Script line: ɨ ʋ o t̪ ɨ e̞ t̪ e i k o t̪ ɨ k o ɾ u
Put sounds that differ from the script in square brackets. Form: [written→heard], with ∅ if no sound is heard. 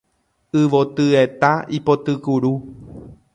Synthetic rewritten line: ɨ ʋ o t̪ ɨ e̞ t̪ [e→a] i [k→p] o t̪ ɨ k [o→u] ɾ u